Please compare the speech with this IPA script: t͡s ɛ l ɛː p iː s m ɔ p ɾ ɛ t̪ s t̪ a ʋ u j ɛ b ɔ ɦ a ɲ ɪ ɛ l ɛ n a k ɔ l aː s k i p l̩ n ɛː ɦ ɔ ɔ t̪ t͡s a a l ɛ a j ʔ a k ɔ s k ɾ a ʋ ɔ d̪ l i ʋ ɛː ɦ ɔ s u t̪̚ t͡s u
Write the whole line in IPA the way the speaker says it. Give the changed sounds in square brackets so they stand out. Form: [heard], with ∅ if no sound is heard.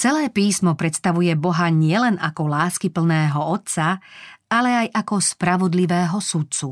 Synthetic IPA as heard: t͡s ɛ l ɛː p iː s m ɔ p ɾ ɛ t̪ s t̪ a ʋ u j ɛ b ɔ ɦ a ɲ ɪ ɛ l ɛ n a k ɔ l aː s k i p l̩ n ɛː ɦ ɔ ɔ t̪ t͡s a a l ɛ a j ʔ a k ɔ s [p] ɾ a ʋ ɔ d̪ l i ʋ ɛː ɦ ɔ s u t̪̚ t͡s u